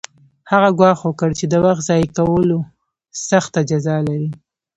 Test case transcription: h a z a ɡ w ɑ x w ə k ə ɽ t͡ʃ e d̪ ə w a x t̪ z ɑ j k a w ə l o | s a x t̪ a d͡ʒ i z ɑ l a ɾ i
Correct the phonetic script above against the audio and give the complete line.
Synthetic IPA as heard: h a ɣ a ɡ w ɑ x w ə k ə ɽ t͡ʃ e d̪ ə w a x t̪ z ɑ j k a w ə l o | s a x t̪ a d͡ʒ a z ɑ l a ɾ i